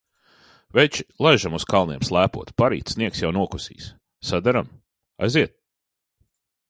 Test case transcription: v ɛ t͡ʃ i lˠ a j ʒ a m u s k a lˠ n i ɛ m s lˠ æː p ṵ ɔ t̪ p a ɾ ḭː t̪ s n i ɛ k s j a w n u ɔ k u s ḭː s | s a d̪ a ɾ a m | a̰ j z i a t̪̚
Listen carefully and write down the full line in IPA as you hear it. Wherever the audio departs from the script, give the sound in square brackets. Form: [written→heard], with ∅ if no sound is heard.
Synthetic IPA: v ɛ t͡ʃ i lˠ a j ʒ a m u s k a lˠ n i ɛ m s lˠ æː p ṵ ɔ t̪ p a ɾ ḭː t̪ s n i ɛ k s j a w n u ɔ k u s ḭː s | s a d̪ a ɾ a m | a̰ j z i [a→ɛ] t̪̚